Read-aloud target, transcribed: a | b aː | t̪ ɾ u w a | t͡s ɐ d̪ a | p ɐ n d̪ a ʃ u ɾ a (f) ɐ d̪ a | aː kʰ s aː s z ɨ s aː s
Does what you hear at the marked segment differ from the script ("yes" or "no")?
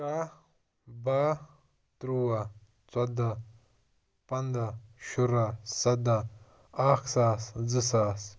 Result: yes